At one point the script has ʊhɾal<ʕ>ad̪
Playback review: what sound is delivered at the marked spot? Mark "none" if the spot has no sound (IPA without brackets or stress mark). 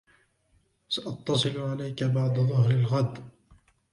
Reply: ɣ